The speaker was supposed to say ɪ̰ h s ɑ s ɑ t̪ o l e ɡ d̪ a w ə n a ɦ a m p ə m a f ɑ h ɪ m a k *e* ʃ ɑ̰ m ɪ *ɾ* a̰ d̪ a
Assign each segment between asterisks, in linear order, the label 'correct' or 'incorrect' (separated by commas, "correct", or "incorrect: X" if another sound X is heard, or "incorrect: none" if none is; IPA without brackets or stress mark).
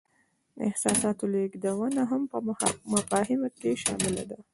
correct, incorrect: l